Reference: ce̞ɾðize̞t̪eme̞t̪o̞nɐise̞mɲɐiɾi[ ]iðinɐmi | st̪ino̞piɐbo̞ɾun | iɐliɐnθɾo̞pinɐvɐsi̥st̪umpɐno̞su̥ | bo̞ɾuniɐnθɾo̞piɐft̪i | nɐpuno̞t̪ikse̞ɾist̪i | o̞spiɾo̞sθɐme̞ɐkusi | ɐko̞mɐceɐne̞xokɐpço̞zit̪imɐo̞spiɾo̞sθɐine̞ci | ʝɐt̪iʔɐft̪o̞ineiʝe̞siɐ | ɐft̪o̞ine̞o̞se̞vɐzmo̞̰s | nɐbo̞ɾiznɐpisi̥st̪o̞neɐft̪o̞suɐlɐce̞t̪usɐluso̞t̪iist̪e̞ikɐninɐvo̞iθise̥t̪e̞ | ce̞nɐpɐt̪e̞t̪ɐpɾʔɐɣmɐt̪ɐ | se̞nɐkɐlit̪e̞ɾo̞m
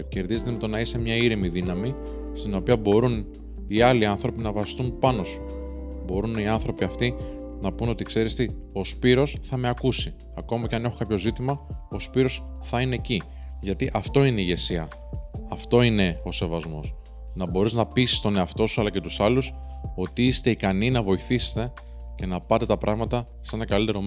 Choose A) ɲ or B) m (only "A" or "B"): B